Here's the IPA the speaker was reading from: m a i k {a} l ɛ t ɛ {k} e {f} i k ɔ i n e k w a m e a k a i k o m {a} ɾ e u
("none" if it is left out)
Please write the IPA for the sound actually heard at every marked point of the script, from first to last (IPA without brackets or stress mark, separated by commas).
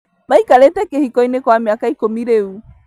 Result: a, k, h, i